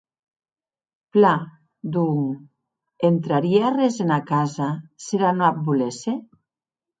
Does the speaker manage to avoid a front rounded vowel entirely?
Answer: yes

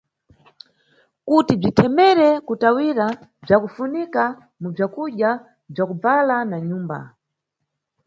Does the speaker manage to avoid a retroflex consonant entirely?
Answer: no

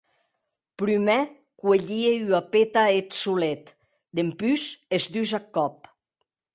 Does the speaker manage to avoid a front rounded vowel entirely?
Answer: no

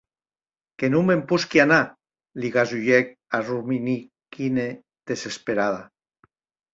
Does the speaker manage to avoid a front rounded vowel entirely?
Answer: yes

